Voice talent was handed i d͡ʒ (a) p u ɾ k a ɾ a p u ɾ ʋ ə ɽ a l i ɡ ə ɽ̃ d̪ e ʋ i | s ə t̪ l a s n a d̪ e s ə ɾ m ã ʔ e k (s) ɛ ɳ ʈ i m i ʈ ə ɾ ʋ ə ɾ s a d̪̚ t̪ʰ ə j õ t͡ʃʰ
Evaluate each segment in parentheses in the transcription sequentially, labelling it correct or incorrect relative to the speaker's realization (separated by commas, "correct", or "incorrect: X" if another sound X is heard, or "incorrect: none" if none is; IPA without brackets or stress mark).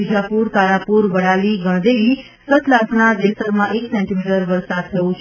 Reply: correct, correct